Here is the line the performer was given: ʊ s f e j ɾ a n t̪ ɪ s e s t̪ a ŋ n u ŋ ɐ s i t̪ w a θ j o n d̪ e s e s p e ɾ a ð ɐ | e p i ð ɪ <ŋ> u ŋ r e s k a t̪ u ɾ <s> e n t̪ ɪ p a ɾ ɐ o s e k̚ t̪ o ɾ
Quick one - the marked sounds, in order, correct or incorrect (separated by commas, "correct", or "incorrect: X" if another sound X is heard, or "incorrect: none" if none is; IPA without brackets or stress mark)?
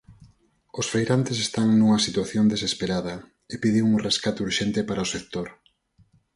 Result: correct, incorrect: ʃ